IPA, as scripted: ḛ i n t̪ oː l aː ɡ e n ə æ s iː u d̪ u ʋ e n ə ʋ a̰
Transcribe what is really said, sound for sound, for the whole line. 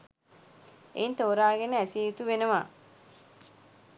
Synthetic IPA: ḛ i n t̪ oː ɾ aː ɡ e n ə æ s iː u t̪ u ʋ e n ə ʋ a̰